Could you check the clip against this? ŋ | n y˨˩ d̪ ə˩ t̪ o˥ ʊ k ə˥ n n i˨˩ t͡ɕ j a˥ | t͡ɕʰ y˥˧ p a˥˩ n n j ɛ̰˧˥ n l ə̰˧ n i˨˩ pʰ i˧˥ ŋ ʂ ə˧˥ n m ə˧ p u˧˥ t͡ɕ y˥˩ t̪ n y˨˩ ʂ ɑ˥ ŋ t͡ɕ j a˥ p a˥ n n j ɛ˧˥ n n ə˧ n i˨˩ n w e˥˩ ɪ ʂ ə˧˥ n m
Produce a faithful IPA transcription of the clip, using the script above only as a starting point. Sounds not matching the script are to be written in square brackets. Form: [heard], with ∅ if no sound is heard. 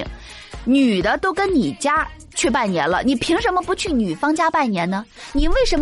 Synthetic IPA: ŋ | n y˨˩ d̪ [ə˦] t̪ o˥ ʊ k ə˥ n n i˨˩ t͡ɕ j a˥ | t͡ɕʰ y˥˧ p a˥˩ n n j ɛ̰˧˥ n l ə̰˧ n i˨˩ pʰ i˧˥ ŋ ʂ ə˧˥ n m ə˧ p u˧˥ [t͡ɕʰ] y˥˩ [∅] n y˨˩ [f] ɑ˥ ŋ t͡ɕ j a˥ p [a˥˩] n n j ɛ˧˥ n n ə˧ n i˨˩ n w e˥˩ ɪ ʂ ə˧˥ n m